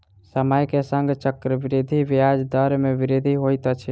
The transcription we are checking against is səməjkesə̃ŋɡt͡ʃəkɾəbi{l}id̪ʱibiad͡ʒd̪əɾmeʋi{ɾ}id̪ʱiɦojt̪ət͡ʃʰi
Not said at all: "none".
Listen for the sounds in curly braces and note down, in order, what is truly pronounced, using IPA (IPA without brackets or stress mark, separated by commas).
ɾ, ɾ